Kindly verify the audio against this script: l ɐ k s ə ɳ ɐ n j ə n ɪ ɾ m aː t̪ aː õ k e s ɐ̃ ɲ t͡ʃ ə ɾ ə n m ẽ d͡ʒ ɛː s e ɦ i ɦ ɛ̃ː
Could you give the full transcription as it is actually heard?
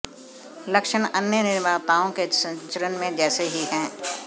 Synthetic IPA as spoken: l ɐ k ʃ ə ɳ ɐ n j ə n ɪ ɾ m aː t̪ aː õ k e s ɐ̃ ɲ t͡ʃ ə ɾ ə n m ẽ d͡ʒ ɛː s e ɦ i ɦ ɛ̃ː